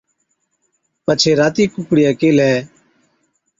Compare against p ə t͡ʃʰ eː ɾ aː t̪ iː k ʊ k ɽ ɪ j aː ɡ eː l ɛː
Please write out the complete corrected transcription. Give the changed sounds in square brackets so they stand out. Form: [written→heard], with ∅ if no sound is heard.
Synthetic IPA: p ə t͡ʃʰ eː ɾ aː t̪ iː k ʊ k ɽ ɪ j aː [ɡ→k] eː l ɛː